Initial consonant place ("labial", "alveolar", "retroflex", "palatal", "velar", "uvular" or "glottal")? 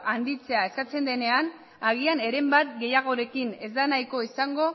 alveolar